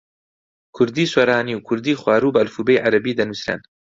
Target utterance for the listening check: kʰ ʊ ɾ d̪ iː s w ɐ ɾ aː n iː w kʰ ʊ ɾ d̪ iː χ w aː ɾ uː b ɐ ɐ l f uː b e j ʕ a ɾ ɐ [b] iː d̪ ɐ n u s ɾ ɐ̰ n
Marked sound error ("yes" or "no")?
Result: no